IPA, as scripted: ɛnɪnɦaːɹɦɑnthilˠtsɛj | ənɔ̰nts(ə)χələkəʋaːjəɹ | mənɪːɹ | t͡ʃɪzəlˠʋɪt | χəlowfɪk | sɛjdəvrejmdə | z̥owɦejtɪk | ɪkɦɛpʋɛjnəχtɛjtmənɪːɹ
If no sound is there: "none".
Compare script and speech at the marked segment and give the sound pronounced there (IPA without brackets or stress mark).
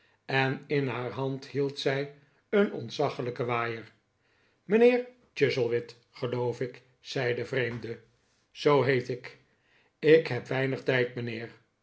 ɑ